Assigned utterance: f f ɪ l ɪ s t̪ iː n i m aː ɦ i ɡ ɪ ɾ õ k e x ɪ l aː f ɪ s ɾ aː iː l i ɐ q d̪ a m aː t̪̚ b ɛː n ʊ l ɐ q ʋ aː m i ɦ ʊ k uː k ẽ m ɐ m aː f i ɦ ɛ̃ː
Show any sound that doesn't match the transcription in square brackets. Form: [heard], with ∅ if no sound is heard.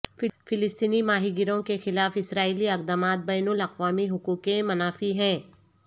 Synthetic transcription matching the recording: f f ɪ l ɪ s t̪ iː n i m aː ɦ i ɡ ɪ ɾ õ k e x ɪ l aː f ɪ s ɾ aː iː l i ɐ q d̪ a m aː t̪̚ b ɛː n ʊ l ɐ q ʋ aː m i ɦ ʊ k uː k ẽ m ɐ [n] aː f i ɦ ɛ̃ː